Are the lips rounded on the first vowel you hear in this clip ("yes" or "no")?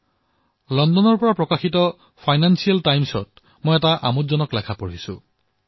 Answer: yes